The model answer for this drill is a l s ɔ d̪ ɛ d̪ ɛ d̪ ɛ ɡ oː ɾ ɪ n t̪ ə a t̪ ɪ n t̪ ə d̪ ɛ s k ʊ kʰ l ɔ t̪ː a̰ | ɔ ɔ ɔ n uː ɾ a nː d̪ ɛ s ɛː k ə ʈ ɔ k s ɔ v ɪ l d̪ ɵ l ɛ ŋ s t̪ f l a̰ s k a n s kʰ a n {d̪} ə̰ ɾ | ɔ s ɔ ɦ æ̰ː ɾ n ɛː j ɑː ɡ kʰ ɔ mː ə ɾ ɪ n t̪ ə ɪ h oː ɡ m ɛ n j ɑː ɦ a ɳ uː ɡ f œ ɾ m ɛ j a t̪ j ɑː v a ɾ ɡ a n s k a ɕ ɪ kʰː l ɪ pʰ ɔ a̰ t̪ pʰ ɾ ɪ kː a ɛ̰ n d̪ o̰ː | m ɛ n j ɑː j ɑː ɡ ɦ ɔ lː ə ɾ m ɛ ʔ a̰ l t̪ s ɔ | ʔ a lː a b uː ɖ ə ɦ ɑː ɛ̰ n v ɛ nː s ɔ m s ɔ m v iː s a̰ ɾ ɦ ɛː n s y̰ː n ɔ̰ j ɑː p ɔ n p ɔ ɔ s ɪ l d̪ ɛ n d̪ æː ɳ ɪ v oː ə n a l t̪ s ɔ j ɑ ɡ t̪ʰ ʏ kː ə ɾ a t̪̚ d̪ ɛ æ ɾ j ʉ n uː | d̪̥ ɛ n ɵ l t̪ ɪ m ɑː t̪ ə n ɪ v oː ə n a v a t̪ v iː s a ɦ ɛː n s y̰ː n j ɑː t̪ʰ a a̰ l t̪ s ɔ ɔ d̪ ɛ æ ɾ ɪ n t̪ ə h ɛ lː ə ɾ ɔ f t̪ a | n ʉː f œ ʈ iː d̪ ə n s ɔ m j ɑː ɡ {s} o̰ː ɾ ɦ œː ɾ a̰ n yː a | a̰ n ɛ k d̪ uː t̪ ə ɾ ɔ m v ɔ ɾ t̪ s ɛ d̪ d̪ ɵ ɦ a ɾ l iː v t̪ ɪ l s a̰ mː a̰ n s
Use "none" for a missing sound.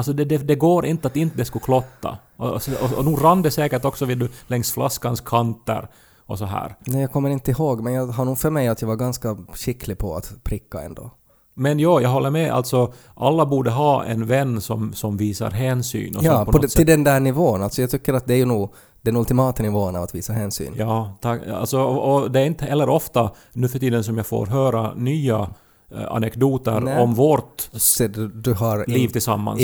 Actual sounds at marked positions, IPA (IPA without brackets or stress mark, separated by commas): t̪, f